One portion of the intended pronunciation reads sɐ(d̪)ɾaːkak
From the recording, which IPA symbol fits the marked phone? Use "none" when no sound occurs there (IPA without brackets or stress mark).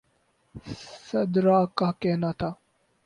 d̪